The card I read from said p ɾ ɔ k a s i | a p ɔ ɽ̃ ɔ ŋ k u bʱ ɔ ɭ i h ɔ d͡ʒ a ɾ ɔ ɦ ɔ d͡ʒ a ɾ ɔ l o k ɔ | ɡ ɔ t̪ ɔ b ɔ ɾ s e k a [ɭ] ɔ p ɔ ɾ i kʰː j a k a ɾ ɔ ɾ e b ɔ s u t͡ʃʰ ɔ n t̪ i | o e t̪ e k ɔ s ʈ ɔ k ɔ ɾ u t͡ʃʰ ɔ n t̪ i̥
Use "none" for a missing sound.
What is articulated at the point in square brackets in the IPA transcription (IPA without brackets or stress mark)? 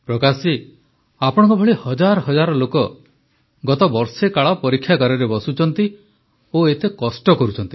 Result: ɭ